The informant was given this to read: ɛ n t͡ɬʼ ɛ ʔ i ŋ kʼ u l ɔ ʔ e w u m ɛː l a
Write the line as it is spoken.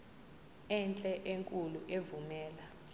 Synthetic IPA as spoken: ɛ n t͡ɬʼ ɛ ʔ e ŋ kʼ u l u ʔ e v u m ɛː l a